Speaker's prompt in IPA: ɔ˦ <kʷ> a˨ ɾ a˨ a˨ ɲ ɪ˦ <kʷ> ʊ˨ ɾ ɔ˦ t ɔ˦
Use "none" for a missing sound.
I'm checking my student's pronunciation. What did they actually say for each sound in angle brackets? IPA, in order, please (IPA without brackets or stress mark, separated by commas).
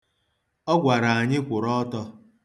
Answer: ɡʷ, kʷ